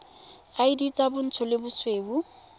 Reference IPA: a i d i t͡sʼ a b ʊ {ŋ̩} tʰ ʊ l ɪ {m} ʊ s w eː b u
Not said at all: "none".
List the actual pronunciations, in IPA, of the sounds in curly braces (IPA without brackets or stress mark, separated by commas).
n̩, b